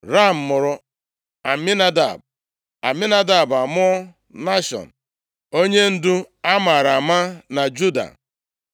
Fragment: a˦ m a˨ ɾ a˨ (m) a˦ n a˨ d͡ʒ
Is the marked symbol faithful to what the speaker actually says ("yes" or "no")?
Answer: yes